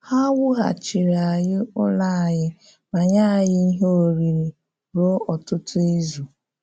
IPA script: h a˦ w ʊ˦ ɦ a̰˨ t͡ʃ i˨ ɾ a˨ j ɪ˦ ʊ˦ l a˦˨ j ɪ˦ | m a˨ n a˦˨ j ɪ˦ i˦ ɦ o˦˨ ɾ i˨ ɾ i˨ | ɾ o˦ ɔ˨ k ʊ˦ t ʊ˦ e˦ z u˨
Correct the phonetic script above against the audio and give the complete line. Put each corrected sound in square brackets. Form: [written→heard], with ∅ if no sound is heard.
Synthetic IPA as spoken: h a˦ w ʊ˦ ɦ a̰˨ t͡ʃ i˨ ɾ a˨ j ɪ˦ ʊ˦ l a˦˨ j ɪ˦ | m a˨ [n→ɲ] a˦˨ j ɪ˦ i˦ ɦ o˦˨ ɾ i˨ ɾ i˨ | ɾ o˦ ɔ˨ [k→t] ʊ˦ t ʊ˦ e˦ z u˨